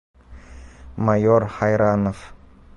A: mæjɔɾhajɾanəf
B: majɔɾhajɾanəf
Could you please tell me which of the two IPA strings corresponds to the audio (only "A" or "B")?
B